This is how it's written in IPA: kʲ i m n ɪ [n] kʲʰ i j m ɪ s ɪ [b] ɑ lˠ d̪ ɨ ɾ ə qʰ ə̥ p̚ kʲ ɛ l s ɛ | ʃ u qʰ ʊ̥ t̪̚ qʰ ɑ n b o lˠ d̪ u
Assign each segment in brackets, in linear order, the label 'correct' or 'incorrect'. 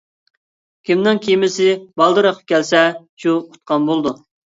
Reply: incorrect, correct

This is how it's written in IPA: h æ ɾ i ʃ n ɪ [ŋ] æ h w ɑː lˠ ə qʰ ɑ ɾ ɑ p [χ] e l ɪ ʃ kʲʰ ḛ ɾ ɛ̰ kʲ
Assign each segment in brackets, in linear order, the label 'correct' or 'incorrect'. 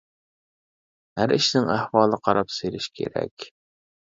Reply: correct, incorrect

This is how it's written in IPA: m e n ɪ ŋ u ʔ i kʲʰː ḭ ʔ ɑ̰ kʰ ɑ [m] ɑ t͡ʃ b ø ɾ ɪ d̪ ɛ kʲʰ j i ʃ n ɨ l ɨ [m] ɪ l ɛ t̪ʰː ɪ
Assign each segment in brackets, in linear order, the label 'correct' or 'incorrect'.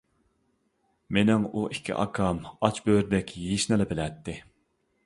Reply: correct, incorrect

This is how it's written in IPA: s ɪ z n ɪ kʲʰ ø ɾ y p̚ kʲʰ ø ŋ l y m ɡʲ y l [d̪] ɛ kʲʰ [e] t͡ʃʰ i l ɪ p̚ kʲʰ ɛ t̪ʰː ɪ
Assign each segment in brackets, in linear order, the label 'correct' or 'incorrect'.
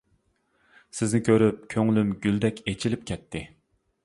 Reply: correct, correct

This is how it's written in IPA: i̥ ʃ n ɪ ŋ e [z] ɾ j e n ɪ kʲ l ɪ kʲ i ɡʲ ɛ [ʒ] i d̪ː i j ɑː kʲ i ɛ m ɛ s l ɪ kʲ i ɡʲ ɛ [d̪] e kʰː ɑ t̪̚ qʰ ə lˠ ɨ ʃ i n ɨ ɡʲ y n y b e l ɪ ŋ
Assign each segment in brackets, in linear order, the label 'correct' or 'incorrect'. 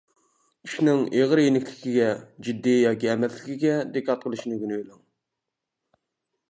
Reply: incorrect, incorrect, correct

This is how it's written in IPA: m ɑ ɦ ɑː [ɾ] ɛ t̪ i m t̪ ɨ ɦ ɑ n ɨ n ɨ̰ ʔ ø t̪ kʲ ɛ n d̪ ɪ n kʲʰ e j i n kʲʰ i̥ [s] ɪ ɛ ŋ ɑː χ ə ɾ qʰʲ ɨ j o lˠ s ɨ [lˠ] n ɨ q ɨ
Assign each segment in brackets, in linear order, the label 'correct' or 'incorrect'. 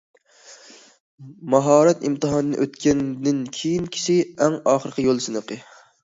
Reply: correct, incorrect, incorrect

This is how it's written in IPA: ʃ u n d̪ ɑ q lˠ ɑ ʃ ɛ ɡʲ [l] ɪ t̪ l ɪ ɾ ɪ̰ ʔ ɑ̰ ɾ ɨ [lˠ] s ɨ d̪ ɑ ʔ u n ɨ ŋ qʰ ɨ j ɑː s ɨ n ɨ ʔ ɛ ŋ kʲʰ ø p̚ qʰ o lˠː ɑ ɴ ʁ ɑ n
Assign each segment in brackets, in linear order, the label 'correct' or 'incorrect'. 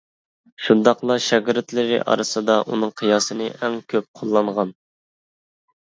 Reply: incorrect, incorrect

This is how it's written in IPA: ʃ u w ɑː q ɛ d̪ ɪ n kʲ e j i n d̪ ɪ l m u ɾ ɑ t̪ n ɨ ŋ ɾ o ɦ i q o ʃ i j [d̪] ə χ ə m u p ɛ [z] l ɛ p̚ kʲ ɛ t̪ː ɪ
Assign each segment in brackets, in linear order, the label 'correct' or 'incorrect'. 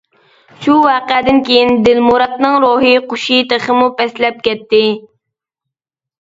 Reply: incorrect, incorrect

